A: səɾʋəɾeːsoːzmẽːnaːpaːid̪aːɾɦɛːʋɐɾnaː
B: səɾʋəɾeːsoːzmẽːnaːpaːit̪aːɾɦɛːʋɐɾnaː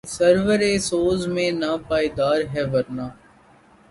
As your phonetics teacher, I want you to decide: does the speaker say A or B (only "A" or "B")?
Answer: A